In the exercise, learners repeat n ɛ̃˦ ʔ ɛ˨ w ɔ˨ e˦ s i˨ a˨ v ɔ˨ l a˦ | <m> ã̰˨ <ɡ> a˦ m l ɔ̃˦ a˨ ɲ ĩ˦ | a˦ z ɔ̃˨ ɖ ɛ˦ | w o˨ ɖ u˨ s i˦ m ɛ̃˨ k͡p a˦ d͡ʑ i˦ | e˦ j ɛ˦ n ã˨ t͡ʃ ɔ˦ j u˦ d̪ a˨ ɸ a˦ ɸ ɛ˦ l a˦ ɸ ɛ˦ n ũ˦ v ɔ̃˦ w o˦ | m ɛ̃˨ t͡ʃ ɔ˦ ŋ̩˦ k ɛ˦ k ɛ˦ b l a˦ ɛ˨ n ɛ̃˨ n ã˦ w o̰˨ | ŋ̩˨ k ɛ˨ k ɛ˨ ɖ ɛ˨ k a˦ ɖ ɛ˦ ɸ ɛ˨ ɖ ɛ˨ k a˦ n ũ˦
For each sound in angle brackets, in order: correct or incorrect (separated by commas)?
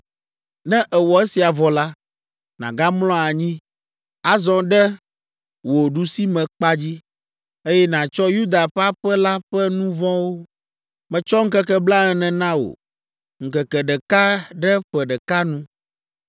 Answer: incorrect, correct